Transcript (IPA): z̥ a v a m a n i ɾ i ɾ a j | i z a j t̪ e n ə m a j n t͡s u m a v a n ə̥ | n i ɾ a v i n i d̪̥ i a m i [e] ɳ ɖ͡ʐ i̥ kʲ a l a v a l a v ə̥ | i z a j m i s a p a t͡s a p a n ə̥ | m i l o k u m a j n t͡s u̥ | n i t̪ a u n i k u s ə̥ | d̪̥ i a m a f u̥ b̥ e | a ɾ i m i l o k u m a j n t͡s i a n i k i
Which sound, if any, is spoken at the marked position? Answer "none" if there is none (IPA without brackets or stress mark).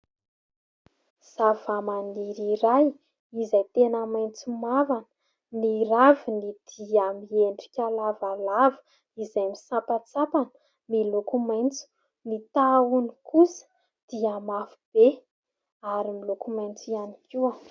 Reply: e